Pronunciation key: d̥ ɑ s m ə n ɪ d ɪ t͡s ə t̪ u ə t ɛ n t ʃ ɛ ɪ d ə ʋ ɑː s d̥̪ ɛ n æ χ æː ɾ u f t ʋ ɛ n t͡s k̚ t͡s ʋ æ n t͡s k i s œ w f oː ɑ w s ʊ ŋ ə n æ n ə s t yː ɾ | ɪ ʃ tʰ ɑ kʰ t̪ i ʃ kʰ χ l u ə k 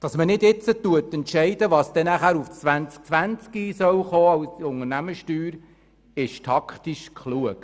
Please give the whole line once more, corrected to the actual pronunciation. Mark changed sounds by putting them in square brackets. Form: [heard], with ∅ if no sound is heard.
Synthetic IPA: d̥ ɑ s m ə n ɪ d ɪ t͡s ə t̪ u ə t ɛ n t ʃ ɛ ɪ d ə ʋ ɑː s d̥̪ ɛ n æ χ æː ɾ u f [t͡s] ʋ [æ] n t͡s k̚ t͡s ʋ æ n t͡s k i s œ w [χ] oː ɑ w s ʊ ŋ ə n æ [m] ə [ʃ] t yː ɾ | ɪ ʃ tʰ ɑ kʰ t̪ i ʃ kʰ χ l u ə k